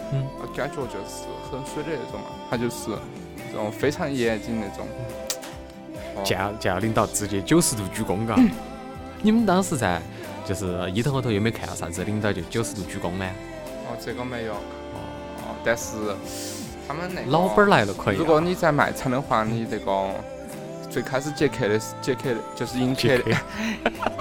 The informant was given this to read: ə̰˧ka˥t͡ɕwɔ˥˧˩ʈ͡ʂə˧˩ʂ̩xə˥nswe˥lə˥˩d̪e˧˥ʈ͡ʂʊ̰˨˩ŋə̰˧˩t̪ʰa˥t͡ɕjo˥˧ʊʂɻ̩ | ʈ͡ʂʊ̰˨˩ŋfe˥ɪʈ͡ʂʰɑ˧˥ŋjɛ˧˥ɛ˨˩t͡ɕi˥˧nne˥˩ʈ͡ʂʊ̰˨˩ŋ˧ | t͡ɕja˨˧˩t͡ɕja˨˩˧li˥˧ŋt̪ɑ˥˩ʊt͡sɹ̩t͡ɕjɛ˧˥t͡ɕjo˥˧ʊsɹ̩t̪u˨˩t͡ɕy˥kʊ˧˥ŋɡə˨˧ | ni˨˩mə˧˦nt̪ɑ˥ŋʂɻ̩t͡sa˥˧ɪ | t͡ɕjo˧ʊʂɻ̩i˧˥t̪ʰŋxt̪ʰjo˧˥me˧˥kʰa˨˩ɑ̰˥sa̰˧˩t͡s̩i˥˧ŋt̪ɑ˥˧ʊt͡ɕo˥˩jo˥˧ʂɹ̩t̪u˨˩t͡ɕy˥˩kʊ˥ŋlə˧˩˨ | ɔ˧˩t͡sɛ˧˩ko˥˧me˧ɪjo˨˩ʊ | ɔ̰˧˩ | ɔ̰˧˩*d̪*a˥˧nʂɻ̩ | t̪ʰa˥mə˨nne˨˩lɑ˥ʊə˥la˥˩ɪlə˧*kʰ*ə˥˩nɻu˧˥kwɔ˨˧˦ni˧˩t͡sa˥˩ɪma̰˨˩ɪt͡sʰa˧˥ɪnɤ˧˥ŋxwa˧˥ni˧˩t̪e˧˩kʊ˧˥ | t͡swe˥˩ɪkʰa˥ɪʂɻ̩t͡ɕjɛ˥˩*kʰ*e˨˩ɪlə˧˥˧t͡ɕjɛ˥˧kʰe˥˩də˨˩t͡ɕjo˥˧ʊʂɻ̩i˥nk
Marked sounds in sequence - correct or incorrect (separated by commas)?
incorrect, correct, correct